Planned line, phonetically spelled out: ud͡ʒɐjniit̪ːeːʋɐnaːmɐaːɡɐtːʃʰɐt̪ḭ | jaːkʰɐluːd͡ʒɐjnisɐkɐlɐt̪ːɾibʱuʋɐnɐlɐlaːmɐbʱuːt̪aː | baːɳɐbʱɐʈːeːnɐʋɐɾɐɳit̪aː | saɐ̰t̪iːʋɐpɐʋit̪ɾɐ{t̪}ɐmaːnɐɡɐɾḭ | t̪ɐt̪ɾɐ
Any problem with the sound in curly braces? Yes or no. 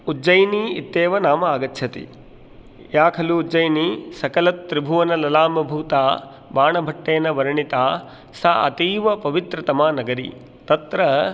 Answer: no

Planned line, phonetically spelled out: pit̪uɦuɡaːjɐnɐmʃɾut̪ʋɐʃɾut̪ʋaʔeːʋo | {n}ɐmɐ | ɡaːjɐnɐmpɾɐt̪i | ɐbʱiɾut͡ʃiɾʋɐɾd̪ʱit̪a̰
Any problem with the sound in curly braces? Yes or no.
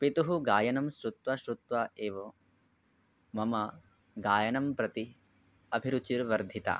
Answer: yes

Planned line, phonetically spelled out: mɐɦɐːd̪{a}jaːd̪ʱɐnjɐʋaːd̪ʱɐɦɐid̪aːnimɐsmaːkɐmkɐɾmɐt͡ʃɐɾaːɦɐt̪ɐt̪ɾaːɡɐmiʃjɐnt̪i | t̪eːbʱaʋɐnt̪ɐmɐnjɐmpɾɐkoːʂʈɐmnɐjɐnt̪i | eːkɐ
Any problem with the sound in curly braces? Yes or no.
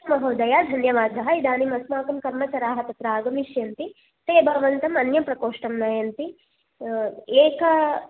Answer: yes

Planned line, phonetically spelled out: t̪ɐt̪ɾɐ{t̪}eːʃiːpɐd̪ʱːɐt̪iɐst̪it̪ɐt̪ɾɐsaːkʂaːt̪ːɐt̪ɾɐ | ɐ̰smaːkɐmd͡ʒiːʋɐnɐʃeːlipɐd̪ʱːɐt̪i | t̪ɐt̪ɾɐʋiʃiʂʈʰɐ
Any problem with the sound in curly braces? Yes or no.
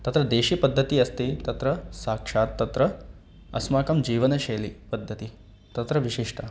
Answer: yes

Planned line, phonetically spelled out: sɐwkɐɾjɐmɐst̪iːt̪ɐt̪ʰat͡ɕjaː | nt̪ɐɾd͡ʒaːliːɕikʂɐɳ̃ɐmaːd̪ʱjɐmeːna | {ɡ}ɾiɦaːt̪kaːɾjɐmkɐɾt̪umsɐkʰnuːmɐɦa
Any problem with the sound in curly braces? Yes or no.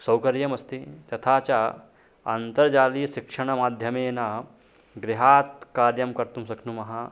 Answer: no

